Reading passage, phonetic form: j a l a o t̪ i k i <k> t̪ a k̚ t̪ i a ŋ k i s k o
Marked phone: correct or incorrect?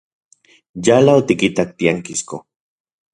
incorrect